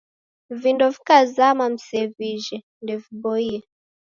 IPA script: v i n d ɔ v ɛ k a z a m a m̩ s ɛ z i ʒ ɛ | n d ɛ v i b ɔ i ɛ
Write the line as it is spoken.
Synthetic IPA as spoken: v i n d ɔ v i k a z a m a m̩ s ɛ v i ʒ ɛ | n d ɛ v i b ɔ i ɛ